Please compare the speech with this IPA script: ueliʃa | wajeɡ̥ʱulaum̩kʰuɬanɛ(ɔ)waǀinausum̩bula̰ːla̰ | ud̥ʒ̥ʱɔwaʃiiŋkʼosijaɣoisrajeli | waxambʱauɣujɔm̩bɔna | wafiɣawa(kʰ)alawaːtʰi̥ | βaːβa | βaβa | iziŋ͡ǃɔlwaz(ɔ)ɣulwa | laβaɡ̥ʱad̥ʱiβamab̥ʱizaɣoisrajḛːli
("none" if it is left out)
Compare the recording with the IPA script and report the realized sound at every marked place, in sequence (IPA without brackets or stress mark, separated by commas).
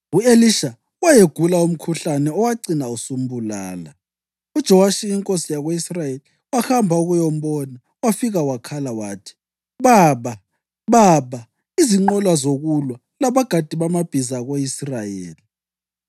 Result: ɔ, kʰ, o